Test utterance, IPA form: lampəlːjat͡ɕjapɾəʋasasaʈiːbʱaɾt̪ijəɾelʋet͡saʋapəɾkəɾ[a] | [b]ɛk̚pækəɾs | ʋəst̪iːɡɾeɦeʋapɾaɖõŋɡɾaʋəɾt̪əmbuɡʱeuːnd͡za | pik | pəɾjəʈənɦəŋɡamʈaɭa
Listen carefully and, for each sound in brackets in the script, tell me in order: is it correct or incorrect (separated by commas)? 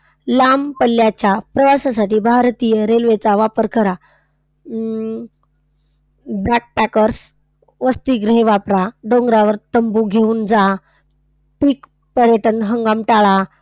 correct, correct